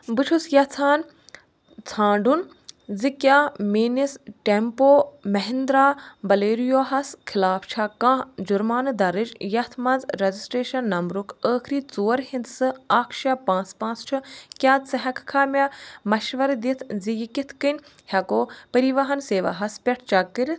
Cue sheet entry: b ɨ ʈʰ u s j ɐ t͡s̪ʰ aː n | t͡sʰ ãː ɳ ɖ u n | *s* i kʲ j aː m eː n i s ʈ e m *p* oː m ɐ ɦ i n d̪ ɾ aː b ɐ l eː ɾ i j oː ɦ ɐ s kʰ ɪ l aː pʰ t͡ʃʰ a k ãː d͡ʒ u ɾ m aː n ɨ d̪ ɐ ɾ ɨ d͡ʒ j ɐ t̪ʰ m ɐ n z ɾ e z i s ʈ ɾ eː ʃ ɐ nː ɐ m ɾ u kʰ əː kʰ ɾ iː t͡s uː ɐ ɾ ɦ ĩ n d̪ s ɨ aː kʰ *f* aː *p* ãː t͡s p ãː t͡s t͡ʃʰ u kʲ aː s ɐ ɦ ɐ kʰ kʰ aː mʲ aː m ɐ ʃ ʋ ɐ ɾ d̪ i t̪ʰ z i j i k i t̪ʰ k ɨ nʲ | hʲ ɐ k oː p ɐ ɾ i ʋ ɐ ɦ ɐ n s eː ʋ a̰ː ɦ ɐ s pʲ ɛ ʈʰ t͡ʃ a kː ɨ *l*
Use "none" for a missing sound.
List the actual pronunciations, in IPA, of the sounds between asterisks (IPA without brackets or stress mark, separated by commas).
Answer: z, p, ʃ, p, ɾ